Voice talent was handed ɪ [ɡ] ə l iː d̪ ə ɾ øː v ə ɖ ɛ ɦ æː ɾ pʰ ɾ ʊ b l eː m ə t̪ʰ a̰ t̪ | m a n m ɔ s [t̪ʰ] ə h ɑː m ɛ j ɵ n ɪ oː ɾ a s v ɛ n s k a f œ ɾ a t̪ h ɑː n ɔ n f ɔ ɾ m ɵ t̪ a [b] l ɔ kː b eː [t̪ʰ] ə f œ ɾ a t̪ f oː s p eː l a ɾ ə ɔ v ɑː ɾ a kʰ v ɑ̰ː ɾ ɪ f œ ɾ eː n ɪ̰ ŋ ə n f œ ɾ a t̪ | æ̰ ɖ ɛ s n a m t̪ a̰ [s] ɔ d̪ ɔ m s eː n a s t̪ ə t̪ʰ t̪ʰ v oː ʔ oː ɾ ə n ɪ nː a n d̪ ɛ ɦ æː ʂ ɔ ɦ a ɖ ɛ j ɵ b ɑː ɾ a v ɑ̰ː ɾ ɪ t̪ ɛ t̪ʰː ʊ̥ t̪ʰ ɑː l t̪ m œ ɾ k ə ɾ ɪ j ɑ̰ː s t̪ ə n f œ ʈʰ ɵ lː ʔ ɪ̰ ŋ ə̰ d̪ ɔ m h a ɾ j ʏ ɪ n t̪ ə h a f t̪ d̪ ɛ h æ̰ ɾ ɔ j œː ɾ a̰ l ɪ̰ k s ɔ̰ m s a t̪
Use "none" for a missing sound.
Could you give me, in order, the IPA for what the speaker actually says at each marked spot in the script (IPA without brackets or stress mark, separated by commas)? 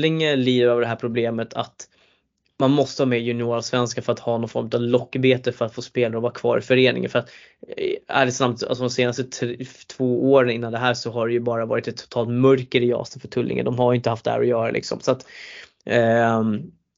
ŋ, t̪, v, t̪, s